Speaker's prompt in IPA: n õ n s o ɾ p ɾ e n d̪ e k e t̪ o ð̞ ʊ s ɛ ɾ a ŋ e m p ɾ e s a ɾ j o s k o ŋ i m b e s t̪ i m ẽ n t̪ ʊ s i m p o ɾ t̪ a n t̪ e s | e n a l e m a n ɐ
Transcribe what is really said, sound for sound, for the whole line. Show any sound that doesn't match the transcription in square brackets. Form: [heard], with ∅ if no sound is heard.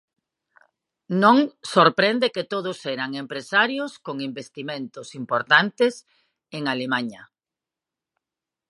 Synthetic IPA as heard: n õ [ŋ] s o ɾ p ɾ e n d̪ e k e t̪ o ð̞ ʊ s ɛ ɾ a ŋ e m p ɾ e s a ɾ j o s k o ŋ i m b e s t̪ i m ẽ n t̪ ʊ s i m p o ɾ t̪ a n t̪ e s | e [ŋ] a l e m a [ɲ] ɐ